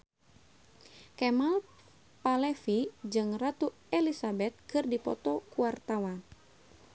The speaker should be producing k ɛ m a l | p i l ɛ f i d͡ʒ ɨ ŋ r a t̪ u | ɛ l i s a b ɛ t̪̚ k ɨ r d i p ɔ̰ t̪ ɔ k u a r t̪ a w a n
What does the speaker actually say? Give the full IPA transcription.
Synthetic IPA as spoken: k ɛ m a l | p a l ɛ f i d͡ʒ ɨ ŋ r a t̪ u | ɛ l i s a b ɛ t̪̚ k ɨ r d i p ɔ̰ t̪ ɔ k u a r t̪ a w a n